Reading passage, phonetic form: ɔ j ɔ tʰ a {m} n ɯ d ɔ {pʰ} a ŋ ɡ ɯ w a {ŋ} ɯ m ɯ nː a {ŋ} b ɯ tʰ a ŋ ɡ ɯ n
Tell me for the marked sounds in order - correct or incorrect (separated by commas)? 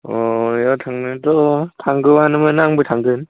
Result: incorrect, incorrect, incorrect, correct